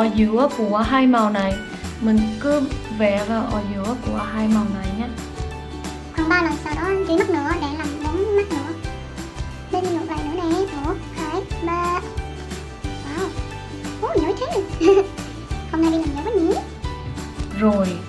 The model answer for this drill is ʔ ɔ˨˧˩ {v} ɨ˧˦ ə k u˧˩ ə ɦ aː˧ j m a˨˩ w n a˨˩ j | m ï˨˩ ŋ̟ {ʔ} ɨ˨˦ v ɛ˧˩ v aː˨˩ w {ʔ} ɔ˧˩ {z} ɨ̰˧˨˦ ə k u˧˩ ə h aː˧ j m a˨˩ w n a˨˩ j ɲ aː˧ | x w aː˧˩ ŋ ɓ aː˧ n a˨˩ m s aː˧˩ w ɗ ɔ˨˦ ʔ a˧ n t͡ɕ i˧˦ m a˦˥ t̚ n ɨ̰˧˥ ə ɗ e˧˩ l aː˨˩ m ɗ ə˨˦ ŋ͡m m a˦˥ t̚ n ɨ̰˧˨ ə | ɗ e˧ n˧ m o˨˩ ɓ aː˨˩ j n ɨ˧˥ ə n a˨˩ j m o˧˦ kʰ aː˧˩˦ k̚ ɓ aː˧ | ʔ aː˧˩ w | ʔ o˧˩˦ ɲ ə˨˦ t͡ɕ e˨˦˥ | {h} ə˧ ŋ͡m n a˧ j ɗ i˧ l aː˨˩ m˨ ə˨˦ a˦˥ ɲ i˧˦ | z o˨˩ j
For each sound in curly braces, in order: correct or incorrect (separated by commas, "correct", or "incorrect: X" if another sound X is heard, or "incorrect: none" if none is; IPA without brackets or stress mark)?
incorrect: z, incorrect: k, correct, correct, correct